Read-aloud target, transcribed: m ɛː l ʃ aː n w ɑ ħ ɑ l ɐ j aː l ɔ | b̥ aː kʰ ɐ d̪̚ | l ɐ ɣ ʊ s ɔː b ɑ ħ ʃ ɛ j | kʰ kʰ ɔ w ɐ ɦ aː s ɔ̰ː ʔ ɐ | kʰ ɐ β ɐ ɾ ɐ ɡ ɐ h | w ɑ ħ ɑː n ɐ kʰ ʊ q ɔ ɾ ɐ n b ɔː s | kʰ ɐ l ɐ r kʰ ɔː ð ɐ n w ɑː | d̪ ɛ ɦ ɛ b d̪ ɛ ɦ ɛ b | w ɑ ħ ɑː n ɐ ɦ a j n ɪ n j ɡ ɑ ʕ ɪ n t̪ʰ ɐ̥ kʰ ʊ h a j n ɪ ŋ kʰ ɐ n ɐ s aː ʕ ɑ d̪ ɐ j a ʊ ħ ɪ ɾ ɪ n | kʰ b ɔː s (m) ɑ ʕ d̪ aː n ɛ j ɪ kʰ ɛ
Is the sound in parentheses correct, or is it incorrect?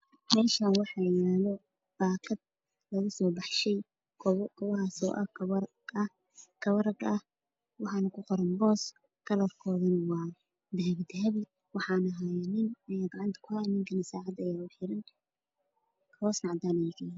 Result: incorrect